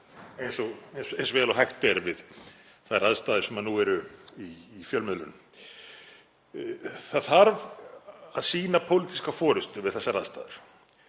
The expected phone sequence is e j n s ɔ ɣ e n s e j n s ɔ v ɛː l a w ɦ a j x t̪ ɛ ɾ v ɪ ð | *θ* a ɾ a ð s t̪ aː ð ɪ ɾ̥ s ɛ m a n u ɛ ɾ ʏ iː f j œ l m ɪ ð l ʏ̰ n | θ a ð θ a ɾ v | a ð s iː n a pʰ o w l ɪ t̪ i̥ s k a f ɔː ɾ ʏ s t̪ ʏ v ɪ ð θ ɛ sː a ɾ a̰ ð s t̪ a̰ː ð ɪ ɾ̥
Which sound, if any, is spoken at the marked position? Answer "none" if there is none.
θ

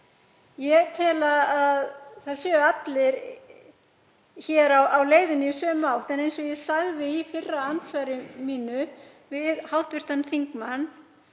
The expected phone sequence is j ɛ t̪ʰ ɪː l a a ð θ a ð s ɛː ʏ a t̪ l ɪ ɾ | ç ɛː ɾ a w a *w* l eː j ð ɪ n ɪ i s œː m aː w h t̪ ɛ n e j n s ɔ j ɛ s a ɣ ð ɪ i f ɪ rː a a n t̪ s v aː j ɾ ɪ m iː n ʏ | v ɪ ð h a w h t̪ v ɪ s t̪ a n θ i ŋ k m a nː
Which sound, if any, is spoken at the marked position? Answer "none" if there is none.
w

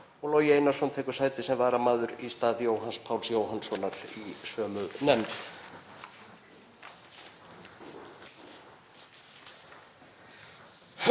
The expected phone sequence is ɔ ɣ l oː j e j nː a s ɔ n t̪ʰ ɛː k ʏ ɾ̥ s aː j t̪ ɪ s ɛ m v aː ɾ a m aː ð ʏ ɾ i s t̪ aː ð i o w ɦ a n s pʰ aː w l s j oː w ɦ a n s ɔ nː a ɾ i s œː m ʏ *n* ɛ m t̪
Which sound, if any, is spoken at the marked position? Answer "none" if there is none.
n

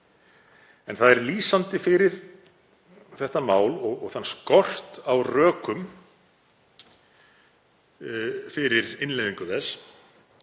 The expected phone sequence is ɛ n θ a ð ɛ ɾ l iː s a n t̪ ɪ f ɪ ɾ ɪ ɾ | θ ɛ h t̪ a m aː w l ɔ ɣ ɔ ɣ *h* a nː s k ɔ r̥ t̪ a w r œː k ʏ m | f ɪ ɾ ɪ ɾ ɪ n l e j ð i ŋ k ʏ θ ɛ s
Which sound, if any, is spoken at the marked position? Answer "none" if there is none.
θ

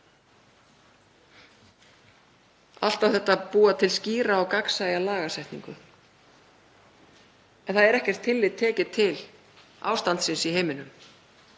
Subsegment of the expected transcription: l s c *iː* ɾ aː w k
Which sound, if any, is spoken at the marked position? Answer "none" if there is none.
iː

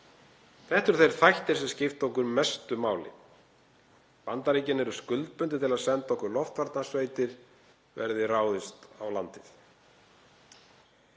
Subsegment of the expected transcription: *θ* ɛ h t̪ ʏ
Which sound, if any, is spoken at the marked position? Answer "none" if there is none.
θ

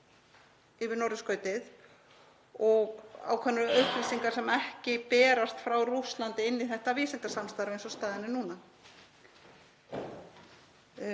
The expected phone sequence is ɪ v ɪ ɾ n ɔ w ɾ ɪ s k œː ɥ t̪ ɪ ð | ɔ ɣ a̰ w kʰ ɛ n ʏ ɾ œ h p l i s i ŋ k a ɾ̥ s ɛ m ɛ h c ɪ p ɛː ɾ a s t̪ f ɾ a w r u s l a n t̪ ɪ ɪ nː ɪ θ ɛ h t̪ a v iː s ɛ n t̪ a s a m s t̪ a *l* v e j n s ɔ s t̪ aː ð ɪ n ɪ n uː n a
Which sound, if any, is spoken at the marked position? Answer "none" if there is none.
ɾ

